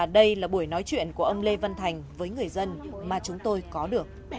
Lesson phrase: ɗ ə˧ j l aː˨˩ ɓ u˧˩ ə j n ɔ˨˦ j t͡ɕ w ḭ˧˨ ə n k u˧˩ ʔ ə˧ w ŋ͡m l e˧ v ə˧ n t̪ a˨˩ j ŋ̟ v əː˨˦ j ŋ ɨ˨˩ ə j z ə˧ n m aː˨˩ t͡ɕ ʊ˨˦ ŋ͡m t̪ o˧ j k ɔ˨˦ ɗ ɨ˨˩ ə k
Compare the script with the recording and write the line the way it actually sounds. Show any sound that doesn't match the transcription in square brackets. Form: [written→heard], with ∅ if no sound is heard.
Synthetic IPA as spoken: ɗ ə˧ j l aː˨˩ ɓ u˧˩ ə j n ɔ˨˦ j t͡ɕ w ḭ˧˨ ə n k u˧˩ ʔ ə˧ w ŋ͡m l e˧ v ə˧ n [t̪→t̪ʰ] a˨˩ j ŋ̟ v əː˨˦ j ŋ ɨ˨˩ ə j z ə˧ n m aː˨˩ t͡ɕ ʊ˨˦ ŋ͡m t̪ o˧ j k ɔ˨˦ ɗ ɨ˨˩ ə k

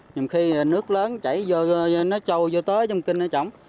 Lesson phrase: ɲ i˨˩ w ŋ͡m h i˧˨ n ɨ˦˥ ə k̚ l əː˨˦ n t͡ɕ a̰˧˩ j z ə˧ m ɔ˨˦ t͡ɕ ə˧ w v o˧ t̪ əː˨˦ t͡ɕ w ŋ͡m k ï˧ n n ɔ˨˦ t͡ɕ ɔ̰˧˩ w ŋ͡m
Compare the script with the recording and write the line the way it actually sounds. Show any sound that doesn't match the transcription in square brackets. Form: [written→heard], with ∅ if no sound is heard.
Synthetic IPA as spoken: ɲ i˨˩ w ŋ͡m [h→x] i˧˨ n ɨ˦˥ ə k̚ l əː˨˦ n t͡ɕ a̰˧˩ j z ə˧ [m→n] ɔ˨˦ t͡ɕ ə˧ w [v→z] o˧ t̪ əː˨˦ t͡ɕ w ŋ͡m k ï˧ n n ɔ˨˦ t͡ɕ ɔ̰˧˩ w ŋ͡m

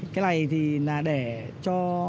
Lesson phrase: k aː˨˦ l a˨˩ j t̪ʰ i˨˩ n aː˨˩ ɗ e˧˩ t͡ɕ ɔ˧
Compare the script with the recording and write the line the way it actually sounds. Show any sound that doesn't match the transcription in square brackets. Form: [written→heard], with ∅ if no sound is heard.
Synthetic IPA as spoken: k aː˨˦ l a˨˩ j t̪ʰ i˨˩ n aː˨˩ ɗ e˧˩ t͡ɕ ɔ˧

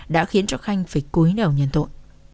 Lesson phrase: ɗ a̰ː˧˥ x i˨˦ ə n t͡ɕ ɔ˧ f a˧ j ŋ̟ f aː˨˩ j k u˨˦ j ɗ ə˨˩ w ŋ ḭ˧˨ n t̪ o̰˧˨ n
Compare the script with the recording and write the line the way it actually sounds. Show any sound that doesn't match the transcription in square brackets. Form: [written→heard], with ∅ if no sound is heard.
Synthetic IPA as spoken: ɗ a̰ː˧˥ x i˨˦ ə n t͡ɕ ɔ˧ [f→x] a˧ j ŋ̟ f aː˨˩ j k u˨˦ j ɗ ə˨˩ w [ŋ→ɲ] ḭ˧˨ n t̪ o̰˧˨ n

